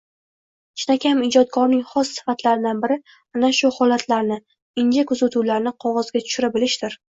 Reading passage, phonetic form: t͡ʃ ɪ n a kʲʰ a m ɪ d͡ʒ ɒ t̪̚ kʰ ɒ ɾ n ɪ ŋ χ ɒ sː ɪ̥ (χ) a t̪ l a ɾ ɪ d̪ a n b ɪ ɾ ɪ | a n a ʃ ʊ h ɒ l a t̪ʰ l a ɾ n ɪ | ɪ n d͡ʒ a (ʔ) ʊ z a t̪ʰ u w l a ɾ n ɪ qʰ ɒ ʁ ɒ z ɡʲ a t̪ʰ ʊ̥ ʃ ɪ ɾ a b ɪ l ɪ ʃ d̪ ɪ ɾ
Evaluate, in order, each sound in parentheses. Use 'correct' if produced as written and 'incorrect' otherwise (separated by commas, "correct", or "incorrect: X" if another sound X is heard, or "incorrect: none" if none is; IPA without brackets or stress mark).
incorrect: f, incorrect: k